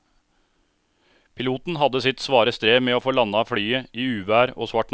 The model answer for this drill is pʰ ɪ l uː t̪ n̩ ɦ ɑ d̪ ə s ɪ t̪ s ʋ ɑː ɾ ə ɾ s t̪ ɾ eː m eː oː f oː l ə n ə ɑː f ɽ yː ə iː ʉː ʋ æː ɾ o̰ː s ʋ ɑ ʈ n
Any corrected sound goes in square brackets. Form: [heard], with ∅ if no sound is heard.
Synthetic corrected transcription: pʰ ɪ l uː t̪ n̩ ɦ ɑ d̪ ə s ɪ t̪ s ʋ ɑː ɾ ə [∅] s t̪ ɾ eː m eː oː f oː l [ɑ] n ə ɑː f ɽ yː ə iː ʉː ʋ æː ɾ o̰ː s ʋ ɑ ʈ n